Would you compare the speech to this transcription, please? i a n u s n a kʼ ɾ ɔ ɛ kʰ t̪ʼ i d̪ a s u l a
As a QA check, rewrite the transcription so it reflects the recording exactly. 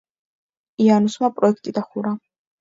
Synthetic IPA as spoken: i a n u s m a pʼ ɾ ɔ ɛ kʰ t̪ʼ i d̪ a χ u ɾ a